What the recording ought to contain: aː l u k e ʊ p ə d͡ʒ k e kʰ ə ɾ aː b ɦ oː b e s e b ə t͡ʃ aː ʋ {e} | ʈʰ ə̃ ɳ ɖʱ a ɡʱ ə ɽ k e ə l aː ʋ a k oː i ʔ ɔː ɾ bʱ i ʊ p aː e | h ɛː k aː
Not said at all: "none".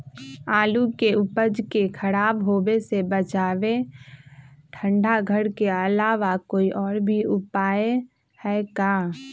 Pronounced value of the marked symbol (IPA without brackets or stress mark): e